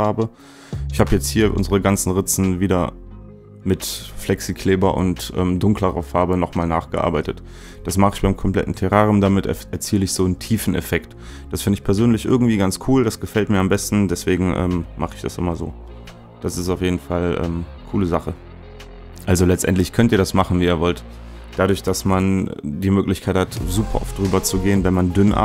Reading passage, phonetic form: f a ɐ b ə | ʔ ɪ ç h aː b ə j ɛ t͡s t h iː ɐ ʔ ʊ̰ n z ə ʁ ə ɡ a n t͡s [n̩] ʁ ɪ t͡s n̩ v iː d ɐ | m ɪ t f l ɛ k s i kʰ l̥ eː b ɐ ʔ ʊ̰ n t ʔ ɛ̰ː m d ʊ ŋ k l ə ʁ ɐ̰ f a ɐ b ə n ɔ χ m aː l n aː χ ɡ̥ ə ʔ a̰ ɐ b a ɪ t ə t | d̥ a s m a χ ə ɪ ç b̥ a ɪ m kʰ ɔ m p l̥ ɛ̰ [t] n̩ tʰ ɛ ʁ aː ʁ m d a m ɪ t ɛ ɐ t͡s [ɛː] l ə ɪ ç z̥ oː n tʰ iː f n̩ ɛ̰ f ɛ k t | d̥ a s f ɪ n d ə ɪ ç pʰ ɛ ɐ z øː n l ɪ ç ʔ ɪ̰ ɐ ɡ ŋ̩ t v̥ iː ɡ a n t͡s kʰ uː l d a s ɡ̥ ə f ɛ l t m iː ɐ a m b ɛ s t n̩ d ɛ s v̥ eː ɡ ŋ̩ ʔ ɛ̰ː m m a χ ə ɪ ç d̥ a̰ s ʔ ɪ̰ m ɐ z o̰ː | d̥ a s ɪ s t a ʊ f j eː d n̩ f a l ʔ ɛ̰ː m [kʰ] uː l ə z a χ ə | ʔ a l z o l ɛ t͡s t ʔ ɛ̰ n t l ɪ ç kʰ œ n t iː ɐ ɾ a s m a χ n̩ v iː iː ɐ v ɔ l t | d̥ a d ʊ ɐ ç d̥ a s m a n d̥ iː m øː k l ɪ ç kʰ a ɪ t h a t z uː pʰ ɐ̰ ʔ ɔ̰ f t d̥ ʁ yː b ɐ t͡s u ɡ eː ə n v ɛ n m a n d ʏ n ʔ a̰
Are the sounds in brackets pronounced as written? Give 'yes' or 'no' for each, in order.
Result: yes, yes, no, yes

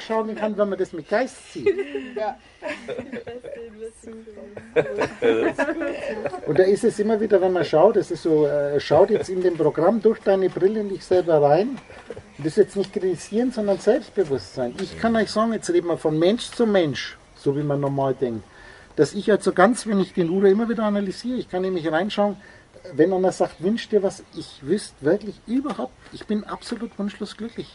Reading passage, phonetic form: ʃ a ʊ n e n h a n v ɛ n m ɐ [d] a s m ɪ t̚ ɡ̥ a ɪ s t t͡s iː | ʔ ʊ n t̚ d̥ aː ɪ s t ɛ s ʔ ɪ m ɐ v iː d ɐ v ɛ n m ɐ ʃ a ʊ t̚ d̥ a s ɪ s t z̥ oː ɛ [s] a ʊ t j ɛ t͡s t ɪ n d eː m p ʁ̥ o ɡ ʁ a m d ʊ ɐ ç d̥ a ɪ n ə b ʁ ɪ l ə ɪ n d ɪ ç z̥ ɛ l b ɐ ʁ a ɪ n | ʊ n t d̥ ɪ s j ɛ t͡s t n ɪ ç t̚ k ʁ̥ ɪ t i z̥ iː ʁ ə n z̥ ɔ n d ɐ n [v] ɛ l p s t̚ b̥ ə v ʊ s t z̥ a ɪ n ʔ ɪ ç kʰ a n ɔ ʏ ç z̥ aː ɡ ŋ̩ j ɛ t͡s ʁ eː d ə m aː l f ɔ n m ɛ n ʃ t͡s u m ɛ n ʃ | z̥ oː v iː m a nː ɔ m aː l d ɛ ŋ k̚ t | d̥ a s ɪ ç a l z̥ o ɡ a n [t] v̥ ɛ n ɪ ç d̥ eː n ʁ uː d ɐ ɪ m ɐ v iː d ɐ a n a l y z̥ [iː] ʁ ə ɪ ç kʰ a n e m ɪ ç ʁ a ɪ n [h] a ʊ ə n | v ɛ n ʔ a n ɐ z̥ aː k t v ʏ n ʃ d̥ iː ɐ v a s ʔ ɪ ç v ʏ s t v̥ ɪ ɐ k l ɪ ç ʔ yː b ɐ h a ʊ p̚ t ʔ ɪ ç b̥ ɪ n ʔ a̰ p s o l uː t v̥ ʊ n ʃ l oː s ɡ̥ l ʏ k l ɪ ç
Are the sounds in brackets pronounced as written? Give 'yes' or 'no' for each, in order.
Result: yes, no, no, no, yes, no

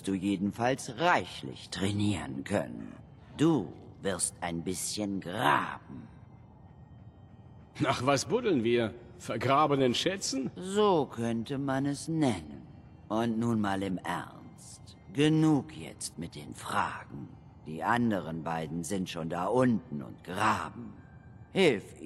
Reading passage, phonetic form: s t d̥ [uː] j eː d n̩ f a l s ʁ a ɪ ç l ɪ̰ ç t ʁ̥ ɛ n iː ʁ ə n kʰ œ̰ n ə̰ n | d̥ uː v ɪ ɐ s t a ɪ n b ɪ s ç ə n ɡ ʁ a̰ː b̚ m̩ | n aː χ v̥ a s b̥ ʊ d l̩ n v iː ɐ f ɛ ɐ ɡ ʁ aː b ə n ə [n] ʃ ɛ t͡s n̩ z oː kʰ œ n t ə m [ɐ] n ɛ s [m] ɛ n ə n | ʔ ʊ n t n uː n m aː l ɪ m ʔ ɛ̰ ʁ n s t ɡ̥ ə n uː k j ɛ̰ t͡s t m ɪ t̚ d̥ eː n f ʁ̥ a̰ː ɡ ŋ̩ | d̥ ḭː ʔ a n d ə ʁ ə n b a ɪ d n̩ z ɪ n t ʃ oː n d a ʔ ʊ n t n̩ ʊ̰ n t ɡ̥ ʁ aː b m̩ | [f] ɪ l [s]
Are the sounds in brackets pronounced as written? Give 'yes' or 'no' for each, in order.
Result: yes, yes, no, no, no, no

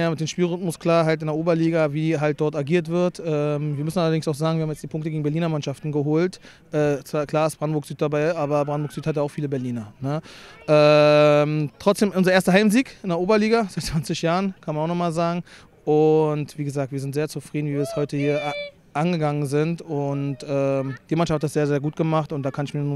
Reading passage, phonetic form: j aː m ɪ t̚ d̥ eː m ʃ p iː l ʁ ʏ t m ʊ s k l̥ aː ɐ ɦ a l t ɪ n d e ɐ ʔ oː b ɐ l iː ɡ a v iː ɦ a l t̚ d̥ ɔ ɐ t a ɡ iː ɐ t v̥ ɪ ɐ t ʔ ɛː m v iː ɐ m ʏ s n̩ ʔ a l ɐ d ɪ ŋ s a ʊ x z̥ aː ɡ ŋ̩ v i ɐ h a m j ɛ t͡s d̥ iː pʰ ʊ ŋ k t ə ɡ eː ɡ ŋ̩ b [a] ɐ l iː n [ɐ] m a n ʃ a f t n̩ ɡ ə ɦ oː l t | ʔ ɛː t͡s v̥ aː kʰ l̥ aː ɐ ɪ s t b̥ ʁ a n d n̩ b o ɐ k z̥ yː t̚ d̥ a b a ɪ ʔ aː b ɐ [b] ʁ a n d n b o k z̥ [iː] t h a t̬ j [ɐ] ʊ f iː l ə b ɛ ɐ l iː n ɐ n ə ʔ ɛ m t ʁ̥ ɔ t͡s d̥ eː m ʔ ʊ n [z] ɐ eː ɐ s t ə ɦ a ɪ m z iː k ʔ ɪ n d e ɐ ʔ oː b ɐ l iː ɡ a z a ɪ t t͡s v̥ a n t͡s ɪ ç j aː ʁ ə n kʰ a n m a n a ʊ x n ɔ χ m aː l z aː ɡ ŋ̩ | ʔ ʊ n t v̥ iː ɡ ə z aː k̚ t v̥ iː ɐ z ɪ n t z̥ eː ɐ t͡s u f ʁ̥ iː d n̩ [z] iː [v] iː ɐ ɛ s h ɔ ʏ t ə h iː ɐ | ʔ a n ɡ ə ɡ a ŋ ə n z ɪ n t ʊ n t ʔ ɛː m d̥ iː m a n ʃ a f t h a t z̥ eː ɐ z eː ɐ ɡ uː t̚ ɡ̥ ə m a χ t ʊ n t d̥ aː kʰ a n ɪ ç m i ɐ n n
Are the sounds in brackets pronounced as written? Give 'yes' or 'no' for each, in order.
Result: no, yes, yes, no, no, yes, no, yes

